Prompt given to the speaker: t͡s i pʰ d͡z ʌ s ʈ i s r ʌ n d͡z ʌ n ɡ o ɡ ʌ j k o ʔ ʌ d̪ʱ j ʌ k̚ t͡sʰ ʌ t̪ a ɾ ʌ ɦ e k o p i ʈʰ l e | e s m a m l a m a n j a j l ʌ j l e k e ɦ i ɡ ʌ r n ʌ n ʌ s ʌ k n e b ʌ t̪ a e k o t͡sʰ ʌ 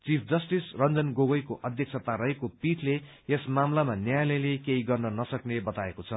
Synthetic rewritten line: t͡s i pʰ d͡z ʌ s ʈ i s r ʌ n d͡z ʌ n ɡ o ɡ ʌ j k o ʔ ʌ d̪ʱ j ʌ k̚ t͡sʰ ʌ t̪ a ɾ ʌ ɦ e k o p i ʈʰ l e | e s m a m l a m a n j a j l ʌ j l e k e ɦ i ɡ ʌ r n ʌ n ʌ s ʌ k n e b ʌ t̪ a e k o t͡sʰ ʌ